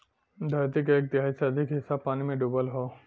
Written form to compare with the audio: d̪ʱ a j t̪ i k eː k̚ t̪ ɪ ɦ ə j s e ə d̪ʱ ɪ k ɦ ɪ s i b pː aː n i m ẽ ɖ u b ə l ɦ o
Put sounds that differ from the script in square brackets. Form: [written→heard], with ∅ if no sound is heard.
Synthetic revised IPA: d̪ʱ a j t̪ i k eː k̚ t̪ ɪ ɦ [ə→a] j s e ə d̪ʱ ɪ k ɦ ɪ s [i→a] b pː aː n i m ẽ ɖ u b ə l ɦ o